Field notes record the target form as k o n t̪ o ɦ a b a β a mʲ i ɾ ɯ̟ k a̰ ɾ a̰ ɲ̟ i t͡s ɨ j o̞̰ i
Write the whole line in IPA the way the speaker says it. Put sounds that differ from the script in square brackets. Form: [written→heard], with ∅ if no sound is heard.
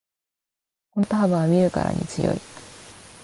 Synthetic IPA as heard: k o n t̪ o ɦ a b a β a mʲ i ɾ ɯ̟ k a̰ ɾ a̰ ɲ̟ i t͡s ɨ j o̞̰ i